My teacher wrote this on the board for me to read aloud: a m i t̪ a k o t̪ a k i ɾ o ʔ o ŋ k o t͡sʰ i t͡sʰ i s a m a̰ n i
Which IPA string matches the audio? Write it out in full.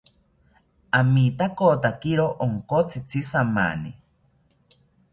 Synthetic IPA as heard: a m i t̪ a k o t̪ a k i ɾ o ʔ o ŋ k o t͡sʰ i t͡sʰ i s a m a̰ n i